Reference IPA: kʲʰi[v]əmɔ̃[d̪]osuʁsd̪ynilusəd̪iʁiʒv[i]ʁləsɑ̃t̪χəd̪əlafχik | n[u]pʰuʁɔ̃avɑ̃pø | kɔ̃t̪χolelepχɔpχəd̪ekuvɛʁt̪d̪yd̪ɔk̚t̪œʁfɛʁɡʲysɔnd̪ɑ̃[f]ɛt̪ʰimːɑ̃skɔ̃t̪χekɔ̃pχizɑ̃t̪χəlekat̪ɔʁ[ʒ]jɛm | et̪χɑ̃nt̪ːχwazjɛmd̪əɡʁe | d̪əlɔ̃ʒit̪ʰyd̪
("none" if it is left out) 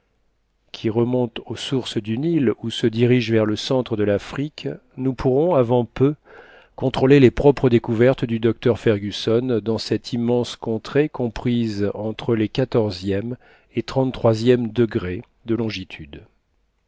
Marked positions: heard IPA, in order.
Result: ʁ, t̪, ɛ, u, s, z

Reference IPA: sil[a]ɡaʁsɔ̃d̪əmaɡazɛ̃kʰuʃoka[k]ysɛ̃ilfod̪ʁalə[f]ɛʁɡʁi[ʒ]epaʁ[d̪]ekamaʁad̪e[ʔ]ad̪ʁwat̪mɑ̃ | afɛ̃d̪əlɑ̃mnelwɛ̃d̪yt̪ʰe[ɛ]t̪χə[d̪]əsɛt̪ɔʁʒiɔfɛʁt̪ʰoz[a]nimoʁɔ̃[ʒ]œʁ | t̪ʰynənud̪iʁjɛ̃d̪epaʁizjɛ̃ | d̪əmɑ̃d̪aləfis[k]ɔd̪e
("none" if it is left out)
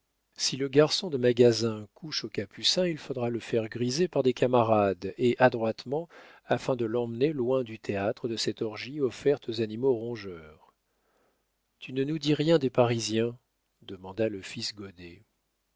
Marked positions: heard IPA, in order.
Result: ə, p, f, z, d̪, ʔ, a, d̪, a, ʒ, ɡ

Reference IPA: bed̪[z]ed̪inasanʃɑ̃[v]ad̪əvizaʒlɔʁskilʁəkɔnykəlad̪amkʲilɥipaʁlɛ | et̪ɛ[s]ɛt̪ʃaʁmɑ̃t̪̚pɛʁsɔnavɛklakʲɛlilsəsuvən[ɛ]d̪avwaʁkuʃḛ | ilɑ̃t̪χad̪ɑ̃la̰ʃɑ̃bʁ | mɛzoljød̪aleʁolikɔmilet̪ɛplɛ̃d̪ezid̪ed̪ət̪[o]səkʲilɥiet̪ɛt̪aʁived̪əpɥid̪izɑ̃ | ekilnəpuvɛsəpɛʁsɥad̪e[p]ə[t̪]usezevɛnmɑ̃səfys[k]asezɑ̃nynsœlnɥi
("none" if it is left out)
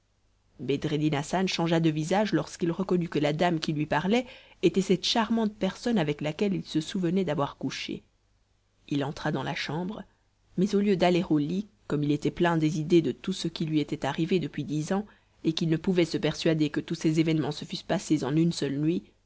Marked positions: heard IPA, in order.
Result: ʁ, ʒ, s, ɛ, u, k, t̪, p

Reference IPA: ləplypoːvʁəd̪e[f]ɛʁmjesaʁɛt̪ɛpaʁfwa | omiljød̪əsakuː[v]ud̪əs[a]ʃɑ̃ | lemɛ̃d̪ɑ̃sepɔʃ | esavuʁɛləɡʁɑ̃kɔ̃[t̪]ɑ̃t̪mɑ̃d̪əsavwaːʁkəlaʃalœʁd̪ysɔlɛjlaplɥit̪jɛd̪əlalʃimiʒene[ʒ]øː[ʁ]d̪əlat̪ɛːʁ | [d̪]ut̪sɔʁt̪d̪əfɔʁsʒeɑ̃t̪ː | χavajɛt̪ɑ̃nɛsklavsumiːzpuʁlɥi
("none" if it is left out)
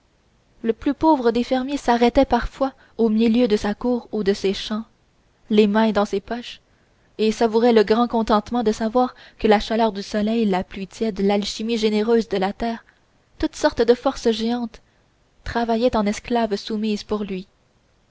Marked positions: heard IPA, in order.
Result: f, ʁ, e, t̪, ʁ, z, t̪

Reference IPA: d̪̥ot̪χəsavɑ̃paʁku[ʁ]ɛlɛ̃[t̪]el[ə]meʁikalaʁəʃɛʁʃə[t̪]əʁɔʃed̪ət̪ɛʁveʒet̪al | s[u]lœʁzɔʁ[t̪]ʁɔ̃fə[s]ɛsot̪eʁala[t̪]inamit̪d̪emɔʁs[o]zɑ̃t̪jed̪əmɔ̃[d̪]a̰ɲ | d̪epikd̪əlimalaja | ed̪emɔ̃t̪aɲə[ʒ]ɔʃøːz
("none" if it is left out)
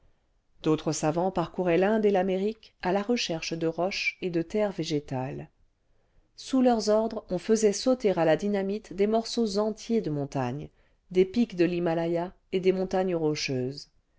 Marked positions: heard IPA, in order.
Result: ʁ, d̪, a, d̪, u, d̪, z, d̪, o, t̪, ʁ

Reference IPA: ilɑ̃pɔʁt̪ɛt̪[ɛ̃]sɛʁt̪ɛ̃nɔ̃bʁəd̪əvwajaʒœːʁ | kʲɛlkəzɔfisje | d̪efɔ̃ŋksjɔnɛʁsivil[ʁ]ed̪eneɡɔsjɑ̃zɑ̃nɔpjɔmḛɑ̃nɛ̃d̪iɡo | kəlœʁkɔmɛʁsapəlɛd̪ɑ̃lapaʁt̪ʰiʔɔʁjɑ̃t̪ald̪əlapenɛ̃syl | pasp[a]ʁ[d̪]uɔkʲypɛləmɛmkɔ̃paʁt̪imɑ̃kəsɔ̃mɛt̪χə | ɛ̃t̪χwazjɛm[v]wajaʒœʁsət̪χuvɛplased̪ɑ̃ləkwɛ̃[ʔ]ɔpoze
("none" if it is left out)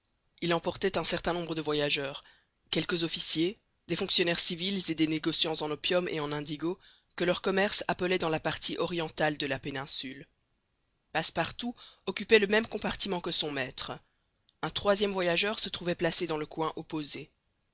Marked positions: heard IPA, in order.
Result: ɛ̃, z, a, t̪, v, ʔ

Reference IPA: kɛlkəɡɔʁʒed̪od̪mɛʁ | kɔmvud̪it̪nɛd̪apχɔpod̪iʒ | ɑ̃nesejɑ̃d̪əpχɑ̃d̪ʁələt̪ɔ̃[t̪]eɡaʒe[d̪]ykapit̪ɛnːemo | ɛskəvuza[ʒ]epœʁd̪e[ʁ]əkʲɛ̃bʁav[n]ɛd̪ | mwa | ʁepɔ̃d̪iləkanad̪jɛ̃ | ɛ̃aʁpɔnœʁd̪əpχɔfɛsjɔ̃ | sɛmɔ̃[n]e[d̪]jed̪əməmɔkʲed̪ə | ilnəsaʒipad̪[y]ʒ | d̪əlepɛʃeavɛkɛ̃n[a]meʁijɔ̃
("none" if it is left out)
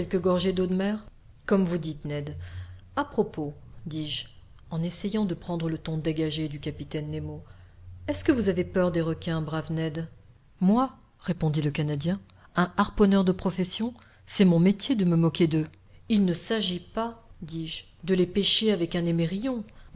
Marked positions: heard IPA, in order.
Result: d̪, d̪, v, ʁ, n, m, t̪, i, e

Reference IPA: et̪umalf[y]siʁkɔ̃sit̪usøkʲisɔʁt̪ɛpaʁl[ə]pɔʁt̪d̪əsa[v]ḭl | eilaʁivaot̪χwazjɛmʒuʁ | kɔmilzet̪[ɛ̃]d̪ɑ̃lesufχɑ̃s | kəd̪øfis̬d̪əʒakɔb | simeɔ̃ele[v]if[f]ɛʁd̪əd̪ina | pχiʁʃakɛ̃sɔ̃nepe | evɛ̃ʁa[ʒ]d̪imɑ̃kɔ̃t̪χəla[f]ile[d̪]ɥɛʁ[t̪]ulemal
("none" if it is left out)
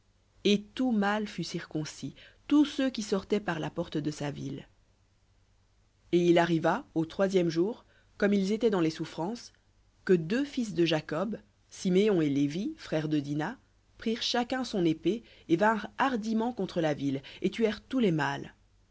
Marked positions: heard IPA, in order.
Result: y, a, v, ɛ, v, χ, ʁ, v, t̪, t̪

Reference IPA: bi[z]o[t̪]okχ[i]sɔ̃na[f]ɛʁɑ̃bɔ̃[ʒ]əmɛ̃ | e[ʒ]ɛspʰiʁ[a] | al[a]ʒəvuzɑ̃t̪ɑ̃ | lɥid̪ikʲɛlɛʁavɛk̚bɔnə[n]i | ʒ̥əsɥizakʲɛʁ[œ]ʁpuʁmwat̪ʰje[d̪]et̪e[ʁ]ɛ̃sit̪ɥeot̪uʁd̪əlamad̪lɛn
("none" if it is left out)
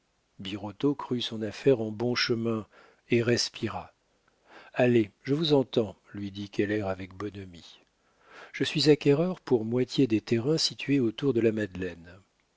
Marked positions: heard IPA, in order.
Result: ʁ, t̪, y, f, ʃ, ʁ, a, e, m, œ, d̪, ʁ

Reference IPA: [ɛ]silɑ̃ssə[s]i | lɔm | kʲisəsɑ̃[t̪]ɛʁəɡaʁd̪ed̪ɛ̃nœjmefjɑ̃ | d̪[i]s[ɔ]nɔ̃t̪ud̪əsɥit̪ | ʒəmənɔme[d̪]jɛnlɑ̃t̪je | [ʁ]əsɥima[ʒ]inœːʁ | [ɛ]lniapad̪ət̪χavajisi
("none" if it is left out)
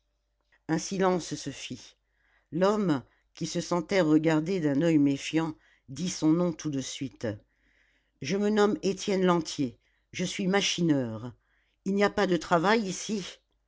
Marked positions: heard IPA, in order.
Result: ɛ̃, f, t̪, i, ɔ̃, t̪, ʒ, ʃ, i

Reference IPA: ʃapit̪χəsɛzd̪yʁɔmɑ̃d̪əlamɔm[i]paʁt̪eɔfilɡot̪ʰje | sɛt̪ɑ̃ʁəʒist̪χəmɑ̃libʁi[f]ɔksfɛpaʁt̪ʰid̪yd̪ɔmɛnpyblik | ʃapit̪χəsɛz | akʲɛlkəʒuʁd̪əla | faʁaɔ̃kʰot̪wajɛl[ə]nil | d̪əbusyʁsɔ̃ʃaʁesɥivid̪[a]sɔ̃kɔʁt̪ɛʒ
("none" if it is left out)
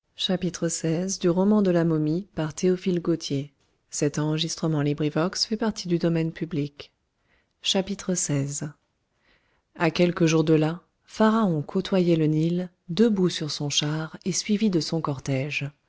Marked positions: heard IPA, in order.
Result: i, v, ə, ə

